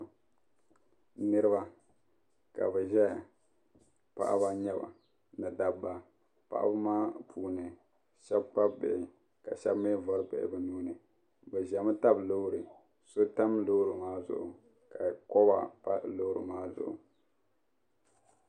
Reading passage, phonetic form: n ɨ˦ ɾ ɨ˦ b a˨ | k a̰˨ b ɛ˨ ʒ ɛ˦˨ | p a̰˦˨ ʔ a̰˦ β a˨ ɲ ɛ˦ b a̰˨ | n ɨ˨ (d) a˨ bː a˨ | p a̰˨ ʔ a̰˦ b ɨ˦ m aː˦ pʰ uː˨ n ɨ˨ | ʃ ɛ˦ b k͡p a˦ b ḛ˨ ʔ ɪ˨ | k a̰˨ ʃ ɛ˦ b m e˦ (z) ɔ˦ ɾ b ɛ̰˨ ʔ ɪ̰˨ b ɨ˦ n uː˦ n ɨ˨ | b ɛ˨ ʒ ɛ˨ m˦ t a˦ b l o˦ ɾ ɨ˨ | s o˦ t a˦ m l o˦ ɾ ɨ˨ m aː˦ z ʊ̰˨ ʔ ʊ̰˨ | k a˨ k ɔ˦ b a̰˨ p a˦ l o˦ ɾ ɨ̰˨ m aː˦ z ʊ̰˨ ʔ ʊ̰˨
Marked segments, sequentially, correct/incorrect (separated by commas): correct, incorrect